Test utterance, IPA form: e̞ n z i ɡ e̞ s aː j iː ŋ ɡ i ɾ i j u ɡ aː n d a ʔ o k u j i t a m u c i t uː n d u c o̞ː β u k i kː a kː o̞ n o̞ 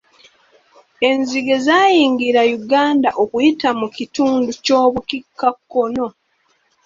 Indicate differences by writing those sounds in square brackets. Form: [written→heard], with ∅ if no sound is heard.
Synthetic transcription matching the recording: e̞ n z i ɡ e̞ [s→z] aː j iː ŋ ɡ i ɾ [i→a] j u ɡ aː n d a ʔ o k u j i t a m u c i t uː n d u c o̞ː β u k i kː a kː o̞ n o̞